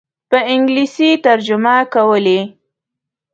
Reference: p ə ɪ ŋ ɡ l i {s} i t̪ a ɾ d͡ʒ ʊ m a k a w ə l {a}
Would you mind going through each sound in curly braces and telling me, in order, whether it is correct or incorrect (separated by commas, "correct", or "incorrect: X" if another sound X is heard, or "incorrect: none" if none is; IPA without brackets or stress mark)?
correct, incorrect: e